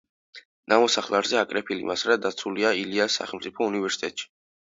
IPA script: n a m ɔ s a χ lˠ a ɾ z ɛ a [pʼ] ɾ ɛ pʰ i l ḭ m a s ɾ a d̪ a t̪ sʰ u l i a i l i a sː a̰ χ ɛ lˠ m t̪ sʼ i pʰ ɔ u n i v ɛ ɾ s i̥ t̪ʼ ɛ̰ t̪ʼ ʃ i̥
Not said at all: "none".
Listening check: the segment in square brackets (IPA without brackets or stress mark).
kʼ